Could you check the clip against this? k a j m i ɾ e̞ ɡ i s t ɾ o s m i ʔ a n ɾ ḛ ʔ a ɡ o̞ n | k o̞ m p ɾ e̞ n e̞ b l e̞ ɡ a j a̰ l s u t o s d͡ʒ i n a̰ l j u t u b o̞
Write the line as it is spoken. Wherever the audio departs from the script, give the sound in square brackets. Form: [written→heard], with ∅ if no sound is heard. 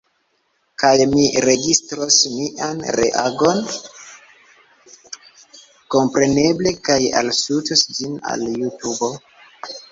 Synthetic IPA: k a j m i ɾ e̞ ɡ i s t ɾ o s m i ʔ a n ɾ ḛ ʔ a ɡ o̞ n | k o̞ m p ɾ e̞ n e̞ b l e̞ [ɡ→k] a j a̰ l s u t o s d͡ʒ i n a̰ l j u t u b o̞